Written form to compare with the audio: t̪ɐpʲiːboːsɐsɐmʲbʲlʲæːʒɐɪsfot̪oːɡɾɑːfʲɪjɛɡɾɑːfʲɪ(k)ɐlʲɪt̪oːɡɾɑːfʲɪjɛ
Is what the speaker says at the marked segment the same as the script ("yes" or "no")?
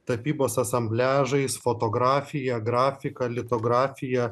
yes